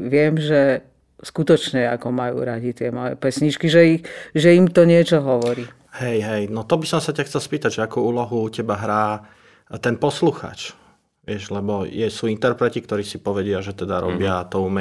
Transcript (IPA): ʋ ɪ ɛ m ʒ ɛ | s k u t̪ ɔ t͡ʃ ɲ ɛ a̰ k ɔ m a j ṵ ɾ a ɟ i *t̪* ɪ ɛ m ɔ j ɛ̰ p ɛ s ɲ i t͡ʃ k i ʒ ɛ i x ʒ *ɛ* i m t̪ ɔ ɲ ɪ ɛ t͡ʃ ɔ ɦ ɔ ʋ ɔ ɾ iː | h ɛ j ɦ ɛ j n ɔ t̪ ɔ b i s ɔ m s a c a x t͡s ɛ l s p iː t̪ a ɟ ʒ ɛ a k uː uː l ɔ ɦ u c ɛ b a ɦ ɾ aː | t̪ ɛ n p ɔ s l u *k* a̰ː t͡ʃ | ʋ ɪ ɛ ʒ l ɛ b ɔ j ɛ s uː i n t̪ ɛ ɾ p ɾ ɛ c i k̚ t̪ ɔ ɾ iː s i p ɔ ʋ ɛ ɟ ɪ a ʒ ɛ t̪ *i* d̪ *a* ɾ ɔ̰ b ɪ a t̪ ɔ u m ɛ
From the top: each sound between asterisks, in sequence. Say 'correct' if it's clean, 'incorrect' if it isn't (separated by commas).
correct, correct, incorrect, incorrect, correct